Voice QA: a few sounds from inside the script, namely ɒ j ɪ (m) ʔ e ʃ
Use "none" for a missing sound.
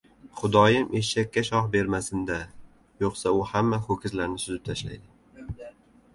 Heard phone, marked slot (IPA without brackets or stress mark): m